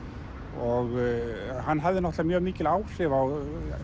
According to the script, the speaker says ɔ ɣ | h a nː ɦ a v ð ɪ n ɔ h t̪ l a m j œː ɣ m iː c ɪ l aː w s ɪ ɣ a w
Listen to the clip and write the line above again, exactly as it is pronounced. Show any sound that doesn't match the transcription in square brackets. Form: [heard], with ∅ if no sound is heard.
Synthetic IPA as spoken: ɔ ɣ | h a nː ɦ a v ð ɪ n ɔ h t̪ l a m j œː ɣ m iː c ɪ l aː w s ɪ [v] a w